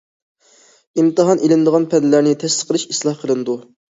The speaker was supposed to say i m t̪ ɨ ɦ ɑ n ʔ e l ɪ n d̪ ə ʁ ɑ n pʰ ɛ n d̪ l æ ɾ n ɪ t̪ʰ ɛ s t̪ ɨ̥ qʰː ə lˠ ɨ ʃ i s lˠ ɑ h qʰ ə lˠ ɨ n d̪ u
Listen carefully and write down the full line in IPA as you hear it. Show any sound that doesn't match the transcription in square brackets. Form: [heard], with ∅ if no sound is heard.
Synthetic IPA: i m t̪ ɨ ɦ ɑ n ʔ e l ɪ n d̪ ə ʁ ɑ n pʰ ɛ n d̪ l æ ɾ n ɪ t̪ʰ ɛ s t̪ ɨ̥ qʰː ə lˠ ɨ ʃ i s lˠ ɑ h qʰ ə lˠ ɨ n d̪ u